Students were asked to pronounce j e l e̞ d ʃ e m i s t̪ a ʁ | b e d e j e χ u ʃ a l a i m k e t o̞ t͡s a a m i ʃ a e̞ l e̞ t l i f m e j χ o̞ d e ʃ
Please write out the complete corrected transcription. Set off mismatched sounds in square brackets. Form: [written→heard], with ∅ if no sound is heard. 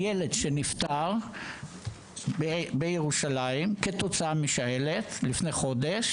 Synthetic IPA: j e l e̞ d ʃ e [m→n] i [s→f] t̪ a ʁ | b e [d→b] e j e [χ→ʁ] u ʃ a l a i m k e t o̞ t͡s a a m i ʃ a e̞ l e̞ t l i f [m→n] e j χ o̞ d e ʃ

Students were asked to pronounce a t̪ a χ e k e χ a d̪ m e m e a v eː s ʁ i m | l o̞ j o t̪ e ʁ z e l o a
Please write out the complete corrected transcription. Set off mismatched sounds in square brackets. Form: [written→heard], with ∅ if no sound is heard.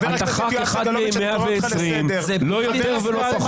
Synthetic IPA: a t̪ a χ [e→a] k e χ a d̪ m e m e a v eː s ʁ i m | l o̞ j o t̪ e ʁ [z→v] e l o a

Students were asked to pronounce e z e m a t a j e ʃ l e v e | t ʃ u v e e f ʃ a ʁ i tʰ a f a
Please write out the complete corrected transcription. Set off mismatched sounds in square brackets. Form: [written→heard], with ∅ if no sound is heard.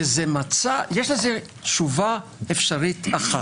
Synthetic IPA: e z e m a [t→t͡s] a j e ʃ l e [v→z] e | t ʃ u v [e→a] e f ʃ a ʁ i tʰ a [f→χ] a

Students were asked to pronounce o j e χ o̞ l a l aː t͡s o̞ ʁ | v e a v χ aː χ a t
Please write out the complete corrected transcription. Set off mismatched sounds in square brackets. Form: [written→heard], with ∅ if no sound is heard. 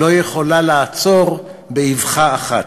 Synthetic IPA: o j e χ o̞ l a l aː t͡s o̞ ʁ | [v→b] e [a→i] v χ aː χ a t

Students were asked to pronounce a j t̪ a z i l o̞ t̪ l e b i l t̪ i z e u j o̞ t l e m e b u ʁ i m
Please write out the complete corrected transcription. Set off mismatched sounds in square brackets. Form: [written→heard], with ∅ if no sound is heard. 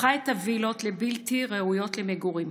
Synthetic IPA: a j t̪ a [z→v] i l o̞ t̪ l e b i l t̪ i [z→ʁ] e u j o̞ t l e m e [b→ɡ] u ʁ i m

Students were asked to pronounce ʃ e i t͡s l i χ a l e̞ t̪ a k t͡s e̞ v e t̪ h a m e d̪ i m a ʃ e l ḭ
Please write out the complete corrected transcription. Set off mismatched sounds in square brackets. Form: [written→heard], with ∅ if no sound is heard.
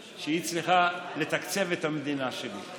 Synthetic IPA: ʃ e i t͡s l i χ a l e̞ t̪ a k t͡s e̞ v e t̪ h a m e d̪ i [m→n] a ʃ e l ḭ

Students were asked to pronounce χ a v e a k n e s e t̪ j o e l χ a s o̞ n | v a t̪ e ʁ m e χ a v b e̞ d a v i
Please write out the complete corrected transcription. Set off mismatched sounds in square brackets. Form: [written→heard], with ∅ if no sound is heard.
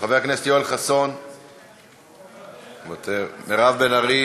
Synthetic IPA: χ a v e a k n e s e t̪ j o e l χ a s o̞ n | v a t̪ e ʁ m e [χ→ʁ] a v b e̞ [d→n] a [v→ʁ] i

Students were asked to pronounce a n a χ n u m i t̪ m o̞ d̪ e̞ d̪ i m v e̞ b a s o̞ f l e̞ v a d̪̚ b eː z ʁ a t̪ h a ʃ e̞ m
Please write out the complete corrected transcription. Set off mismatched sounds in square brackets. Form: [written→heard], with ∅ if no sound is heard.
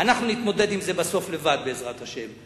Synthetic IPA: a n a χ n u [m→n] i t̪ m o̞ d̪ e̞ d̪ i m [v→z] e̞ b a s o̞ f l e̞ v a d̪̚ b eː z ʁ a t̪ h a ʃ e̞ m

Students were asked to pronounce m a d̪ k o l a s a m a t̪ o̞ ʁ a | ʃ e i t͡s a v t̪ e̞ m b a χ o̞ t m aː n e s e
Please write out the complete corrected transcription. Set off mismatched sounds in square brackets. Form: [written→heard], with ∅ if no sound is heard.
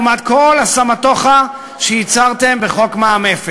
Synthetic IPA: m a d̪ k o l a s a m a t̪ o̞ [ʁ→χ] a | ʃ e i t͡s a [v→ʁ] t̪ e̞ m b [a→e] χ o̞ [t→k] m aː [n→m] e [s→f] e

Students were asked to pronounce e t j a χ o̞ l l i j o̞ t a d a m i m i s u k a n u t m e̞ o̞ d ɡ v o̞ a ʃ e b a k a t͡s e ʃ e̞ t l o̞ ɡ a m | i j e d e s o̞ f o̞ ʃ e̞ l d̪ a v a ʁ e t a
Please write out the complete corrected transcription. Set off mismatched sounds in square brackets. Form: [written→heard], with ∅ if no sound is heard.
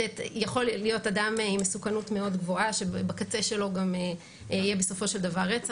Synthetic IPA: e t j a χ o̞ l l i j o̞ t a d a m i m [i→e] s u k a n u t m e̞ o̞ d ɡ v o̞ a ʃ e b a k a t͡s e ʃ e̞ [t→∅] l o̞ ɡ a m | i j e [d→b] e s o̞ f o̞ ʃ e̞ l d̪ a v a ʁ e [t→t͡s] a

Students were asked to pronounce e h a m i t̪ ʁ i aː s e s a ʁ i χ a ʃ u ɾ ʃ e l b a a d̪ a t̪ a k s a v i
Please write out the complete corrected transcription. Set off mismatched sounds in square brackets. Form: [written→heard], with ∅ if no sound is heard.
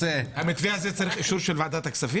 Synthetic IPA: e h a m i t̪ [ʁ→v] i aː [s→z] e [s→t͡s] a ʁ i χ [a→i] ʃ u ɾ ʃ e l [b→v] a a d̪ a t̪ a k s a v i

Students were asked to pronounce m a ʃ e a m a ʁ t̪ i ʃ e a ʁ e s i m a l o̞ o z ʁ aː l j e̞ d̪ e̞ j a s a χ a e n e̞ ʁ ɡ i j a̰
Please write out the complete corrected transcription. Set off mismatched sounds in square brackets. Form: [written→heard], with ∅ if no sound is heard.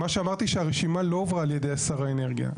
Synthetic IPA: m a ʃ e a m a ʁ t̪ i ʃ e a ʁ e [s→ʃ] i m a l o̞ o [z→v] ʁ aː l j e̞ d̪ e̞ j a s a [χ→ʁ] a e n e̞ ʁ ɡ i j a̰

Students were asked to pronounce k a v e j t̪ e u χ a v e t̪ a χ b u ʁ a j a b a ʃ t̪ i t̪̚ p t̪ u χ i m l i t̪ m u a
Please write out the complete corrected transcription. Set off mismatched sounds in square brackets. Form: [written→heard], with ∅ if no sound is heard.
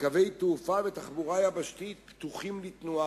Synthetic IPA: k a v e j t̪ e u [χ→f] a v e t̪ a χ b u ʁ a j a b a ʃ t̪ i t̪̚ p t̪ u χ i m l i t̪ [m→n] u a

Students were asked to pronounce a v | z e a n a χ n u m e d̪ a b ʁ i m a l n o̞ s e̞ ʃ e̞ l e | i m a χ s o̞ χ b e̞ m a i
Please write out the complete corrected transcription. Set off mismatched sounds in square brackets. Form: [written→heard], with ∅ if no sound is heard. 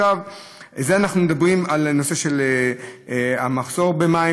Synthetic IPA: a v | z e a n a χ n u m e d̪ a b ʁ i m a l n o̞ s e̞ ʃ e̞ l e | [i→a] m a χ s o̞ [χ→ʁ] b e̞ m a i

